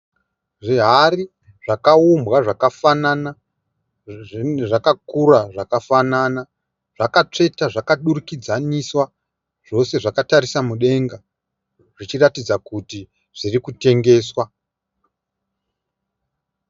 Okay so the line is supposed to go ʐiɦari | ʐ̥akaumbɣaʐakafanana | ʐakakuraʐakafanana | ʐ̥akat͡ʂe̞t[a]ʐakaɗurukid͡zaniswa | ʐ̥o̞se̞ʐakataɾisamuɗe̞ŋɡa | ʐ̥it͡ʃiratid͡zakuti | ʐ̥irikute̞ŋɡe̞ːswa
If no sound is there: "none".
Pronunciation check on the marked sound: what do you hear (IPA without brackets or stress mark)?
a